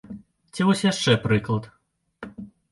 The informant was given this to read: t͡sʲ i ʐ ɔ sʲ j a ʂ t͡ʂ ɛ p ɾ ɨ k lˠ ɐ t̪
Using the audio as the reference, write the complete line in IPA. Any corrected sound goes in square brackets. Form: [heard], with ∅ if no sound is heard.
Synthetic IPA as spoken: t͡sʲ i [v] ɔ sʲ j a ʂ t͡ʂ ɛ p ɾ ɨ k lˠ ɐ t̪